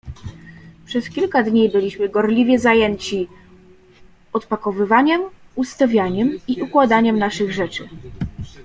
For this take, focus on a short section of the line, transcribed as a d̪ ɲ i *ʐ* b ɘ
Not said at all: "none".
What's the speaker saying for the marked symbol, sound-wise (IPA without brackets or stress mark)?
none